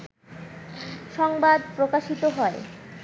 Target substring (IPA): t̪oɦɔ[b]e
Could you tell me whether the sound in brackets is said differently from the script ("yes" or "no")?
yes